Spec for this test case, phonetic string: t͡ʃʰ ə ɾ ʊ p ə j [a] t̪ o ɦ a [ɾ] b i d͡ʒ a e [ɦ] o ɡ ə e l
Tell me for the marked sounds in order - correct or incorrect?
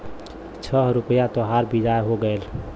correct, correct, correct

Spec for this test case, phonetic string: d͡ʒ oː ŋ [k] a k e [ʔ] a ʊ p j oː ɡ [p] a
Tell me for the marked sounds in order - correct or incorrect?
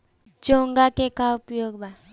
incorrect, incorrect, incorrect

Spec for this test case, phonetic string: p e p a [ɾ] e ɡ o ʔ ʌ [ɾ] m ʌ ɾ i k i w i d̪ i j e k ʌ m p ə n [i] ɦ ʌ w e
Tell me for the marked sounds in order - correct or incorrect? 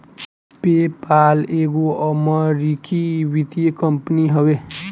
incorrect, incorrect, correct

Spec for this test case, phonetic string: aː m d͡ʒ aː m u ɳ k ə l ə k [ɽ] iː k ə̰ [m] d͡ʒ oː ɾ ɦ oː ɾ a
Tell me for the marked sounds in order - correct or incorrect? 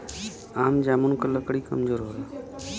correct, correct

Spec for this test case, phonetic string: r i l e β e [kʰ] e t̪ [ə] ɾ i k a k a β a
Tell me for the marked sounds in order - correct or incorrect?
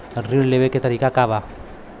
incorrect, incorrect

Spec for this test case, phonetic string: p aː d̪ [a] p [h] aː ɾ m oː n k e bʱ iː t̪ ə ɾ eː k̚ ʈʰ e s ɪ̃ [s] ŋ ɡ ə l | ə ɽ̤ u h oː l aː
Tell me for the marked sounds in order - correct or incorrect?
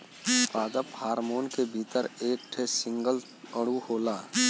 incorrect, correct, incorrect

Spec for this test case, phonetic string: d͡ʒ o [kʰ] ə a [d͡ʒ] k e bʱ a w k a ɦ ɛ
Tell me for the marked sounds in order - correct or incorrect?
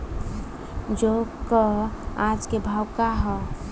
incorrect, correct

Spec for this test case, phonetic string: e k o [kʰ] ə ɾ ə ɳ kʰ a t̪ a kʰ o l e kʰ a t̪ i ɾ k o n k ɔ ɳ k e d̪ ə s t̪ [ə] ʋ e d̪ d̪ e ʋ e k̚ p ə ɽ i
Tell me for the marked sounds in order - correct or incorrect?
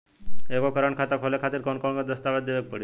incorrect, incorrect

